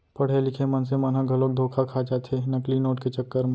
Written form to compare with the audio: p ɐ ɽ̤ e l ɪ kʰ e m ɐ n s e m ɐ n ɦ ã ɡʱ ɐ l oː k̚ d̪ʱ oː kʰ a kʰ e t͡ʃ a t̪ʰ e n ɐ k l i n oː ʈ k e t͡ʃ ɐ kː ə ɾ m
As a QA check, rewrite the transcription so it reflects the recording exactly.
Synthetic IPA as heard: p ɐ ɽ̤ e l ɪ kʰ e m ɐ n s e m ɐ n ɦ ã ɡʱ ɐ l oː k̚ d̪ʱ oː kʰ a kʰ a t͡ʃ a t̪ʰ e n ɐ k l i n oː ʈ k e t͡ʃ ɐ kː ə ɾ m